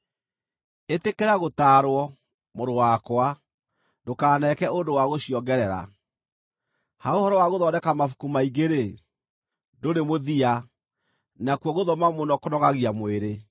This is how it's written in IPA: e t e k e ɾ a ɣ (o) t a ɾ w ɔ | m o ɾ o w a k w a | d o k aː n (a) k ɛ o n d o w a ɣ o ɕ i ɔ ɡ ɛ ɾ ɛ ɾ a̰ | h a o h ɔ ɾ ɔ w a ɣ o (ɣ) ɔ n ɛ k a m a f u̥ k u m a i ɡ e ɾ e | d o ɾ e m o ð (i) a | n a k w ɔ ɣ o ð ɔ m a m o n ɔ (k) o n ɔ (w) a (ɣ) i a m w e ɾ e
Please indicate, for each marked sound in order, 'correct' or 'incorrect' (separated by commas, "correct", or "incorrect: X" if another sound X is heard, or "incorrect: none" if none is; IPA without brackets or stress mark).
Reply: correct, incorrect: ɛ, incorrect: ð, correct, correct, incorrect: ɣ, correct